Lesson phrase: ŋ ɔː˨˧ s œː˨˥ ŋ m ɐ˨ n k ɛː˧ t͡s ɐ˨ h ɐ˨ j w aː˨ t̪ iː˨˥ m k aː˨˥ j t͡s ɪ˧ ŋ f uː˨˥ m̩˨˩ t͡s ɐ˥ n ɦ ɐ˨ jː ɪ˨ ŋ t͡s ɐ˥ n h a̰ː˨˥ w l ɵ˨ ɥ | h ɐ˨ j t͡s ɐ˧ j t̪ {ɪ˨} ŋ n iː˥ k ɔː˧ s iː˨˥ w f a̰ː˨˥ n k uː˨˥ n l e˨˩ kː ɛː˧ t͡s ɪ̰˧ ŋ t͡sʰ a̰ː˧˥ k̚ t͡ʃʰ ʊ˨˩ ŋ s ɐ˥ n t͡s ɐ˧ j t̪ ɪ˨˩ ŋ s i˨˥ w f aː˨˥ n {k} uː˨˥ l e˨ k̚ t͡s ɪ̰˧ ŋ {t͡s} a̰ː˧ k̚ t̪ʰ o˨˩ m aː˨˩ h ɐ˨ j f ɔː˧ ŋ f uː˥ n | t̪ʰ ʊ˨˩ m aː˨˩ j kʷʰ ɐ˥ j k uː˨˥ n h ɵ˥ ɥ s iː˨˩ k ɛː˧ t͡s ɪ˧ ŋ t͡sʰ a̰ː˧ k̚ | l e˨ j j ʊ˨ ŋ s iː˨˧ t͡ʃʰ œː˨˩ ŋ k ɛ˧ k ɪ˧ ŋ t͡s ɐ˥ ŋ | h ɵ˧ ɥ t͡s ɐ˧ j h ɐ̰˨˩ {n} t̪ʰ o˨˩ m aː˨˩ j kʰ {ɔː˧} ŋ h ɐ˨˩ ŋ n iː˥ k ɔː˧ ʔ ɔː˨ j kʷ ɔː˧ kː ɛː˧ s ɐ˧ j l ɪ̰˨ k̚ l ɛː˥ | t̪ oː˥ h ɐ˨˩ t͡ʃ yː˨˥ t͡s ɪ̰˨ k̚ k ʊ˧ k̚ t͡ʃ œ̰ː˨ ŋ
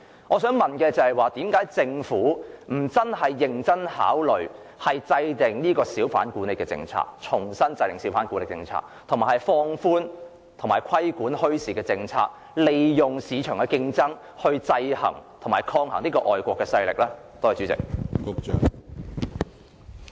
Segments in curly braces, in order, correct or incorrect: correct, correct, incorrect: t͡sʰ, incorrect: ŋ, correct

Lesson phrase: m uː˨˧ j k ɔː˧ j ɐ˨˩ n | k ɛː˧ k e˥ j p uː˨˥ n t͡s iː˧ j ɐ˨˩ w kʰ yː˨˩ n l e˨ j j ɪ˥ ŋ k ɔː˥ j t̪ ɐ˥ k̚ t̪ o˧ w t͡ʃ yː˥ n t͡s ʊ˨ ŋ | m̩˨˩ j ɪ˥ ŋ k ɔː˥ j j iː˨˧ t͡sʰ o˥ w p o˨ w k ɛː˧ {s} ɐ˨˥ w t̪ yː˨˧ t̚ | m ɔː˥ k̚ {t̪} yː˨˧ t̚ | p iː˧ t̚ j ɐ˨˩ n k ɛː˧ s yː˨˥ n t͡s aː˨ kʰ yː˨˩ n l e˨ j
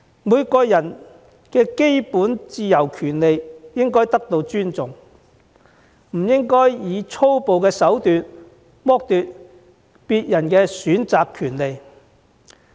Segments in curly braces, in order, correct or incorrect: correct, correct

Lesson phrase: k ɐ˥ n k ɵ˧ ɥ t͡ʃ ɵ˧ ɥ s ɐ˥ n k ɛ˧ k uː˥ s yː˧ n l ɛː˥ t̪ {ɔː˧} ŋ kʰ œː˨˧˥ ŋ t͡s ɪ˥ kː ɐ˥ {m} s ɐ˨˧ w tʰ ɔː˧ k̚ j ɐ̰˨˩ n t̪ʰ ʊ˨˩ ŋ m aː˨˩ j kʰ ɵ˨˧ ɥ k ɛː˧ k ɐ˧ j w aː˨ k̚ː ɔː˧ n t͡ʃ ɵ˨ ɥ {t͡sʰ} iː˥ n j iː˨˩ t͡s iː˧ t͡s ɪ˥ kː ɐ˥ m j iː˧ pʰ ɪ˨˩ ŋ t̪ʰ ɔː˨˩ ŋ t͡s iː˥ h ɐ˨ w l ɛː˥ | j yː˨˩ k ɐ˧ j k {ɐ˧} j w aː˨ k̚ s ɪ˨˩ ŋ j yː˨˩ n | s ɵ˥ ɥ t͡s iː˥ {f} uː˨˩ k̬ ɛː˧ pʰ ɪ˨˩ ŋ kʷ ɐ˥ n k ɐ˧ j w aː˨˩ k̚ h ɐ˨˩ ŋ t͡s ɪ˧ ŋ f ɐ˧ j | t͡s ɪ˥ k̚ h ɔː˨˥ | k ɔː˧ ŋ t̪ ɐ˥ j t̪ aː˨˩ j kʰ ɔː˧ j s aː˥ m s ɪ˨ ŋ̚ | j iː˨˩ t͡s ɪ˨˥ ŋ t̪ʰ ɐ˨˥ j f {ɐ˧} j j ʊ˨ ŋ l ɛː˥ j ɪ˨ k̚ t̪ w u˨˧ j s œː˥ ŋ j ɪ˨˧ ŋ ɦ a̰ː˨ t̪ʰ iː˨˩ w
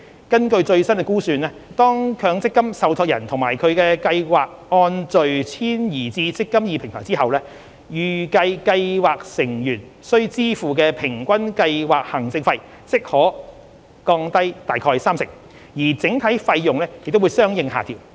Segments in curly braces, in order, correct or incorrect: incorrect: ɔː˥, correct, correct, correct, correct, correct

